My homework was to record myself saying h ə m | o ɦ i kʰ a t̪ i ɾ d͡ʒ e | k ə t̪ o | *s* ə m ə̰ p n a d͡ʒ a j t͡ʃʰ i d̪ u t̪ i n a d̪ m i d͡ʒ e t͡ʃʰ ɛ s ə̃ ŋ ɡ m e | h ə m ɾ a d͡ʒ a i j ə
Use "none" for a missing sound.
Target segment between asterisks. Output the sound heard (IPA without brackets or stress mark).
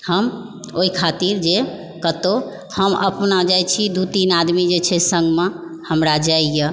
h